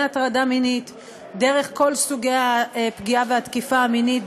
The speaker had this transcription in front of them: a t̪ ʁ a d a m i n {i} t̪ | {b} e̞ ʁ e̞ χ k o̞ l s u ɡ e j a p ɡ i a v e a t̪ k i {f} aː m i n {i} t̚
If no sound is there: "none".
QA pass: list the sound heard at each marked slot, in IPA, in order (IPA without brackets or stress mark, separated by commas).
i, d, f, i